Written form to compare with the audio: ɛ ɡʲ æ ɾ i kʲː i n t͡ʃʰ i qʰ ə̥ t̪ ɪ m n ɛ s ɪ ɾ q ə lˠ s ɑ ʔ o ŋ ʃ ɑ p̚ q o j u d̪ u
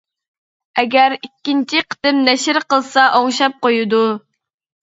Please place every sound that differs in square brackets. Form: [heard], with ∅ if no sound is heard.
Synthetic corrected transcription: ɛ ɡʲ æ ɾ i kʲː i n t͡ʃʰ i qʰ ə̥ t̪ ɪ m n ɛ [ʃ] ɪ ɾ q ə lˠ s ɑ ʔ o ŋ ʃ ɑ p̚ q o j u d̪ u